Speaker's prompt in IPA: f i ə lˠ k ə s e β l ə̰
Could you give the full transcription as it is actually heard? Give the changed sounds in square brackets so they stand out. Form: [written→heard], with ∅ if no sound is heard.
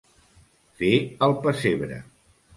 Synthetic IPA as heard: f [i→e] ə lˠ [k→p] ə s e β [l→ɾ] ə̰

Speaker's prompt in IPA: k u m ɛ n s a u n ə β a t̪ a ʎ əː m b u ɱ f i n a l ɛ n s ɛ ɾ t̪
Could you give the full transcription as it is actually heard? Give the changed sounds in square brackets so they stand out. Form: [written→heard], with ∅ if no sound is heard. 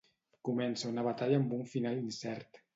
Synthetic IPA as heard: k u m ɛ n s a u n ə β a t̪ a ʎ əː m b u ɱ f i n a l [ɛ→i] n s ɛ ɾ t̪

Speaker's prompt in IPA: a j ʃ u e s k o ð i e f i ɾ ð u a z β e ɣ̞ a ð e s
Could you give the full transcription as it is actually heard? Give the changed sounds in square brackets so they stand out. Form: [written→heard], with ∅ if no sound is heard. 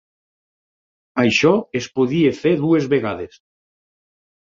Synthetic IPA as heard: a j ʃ [u→ɔ] e s [k→p] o ð i e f [i→e] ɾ ð u [a→e] z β e ɣ̞ a ð e s

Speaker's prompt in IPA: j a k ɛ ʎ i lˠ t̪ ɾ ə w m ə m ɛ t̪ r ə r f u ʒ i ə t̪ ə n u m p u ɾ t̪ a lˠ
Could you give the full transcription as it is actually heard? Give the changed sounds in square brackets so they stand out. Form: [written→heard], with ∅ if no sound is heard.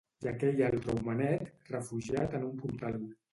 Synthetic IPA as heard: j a k ɛ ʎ [i→a] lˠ t̪ ɾ ə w m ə [m→n] ɛ t̪ r ə [r→∅] f u ʒ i [ə→a] t̪ ə n u m p u ɾ t̪ a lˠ

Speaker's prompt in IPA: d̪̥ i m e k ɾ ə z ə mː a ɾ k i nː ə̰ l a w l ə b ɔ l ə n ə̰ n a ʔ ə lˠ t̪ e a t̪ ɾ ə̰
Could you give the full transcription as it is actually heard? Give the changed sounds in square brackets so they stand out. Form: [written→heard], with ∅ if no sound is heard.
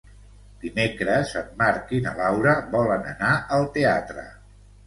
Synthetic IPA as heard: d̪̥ i m e k ɾ ə z ə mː a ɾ k i [nː→n] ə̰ l a w [l→ɾ] ə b ɔ l ə n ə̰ n a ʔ ə lˠ t̪ e a t̪ ɾ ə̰

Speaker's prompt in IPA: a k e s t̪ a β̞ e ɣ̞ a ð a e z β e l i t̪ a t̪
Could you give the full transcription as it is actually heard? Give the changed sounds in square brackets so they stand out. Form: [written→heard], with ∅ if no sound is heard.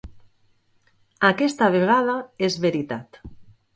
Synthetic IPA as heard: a k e s t̪ a β̞ e ɣ̞ a ð a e z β e [l→ɾ] i t̪ a t̪

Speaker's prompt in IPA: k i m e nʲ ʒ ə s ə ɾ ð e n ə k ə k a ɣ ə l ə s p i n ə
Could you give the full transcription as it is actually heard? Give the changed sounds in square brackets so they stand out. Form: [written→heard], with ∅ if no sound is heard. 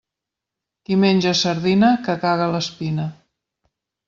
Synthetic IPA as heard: k i m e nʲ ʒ ə s ə ɾ ð [e→i] n ə k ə k a ɣ ə l ə s p i n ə

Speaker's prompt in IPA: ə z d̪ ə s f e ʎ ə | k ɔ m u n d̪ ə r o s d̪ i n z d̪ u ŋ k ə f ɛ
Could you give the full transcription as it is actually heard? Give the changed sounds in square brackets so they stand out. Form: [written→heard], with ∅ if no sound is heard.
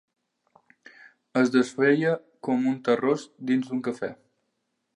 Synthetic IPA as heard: ə z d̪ ə s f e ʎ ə | k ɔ m u n [d̪→t̪] ə r o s d̪ i n z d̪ u ŋ k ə f ɛ

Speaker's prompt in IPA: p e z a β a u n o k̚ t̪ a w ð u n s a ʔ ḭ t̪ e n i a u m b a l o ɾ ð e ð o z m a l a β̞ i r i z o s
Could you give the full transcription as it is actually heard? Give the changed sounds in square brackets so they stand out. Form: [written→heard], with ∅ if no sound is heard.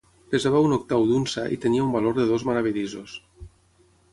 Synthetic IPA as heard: p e z a β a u n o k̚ t̪ a w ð u n s a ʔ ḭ t̪ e n i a u m b a l o ɾ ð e ð o z m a [l→ɾ] a β̞ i [r→ʎ] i z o s

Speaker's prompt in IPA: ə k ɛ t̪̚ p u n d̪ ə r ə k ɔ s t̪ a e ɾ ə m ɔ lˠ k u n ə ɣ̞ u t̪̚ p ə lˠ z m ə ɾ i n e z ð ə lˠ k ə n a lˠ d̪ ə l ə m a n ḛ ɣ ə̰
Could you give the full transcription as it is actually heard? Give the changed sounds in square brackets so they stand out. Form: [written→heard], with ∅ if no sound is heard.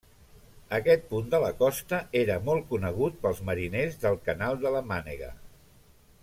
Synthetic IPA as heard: ə k ɛ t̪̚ p u n d̪ ə [r→l] ə k ɔ s t̪ [a→ə] e ɾ ə m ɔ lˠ k u n ə ɣ̞ u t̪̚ p ə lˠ z m ə ɾ i n e z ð ə lˠ k ə n a lˠ d̪ ə l ə m a n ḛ ɣ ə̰

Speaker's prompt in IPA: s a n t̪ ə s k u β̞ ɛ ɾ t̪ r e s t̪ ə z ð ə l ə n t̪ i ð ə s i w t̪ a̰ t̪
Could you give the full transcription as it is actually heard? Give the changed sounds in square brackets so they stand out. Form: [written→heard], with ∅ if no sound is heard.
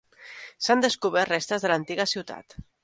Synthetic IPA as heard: s a n [t̪→d̪] ə s k u β̞ ɛ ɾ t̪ r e s t̪ ə z ð ə l ə n t̪ i [ð→ɣ] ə s i w t̪ a̰ t̪

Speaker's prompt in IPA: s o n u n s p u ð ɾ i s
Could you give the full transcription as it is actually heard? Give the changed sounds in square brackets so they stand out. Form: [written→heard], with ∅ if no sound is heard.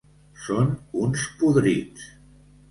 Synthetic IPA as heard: s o n u n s p u ð ɾ i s

